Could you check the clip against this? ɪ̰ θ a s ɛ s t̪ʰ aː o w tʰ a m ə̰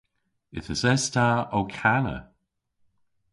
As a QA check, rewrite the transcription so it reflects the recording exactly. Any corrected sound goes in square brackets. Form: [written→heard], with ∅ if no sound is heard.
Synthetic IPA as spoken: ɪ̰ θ [a→ə] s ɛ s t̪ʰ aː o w [tʰ→kʰ] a [m→n] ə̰